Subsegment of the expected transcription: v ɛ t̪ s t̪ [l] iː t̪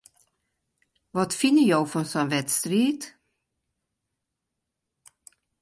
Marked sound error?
yes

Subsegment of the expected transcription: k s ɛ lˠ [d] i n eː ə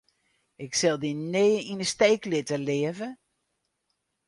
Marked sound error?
no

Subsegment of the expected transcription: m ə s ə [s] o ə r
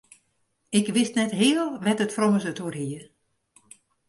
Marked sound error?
yes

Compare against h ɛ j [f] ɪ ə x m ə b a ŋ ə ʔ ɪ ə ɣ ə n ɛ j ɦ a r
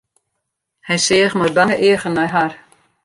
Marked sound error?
yes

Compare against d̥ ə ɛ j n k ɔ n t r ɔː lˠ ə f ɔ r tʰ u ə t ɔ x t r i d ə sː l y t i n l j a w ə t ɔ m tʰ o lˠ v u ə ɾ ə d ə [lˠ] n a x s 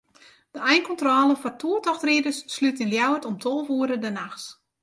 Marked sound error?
yes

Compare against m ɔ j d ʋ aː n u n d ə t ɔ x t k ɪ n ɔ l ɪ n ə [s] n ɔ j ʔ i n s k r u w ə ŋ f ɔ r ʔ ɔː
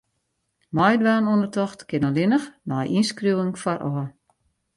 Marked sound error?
yes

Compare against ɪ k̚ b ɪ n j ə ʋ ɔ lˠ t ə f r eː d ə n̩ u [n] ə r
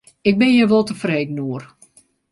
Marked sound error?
yes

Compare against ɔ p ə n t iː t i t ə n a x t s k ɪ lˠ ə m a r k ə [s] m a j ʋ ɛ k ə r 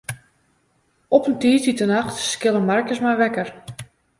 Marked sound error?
no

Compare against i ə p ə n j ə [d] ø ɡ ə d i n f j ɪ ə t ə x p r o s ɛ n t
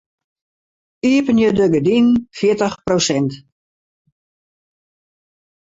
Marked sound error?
no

